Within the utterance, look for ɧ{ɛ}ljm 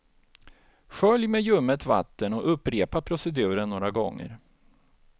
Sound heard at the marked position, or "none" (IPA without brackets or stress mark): œ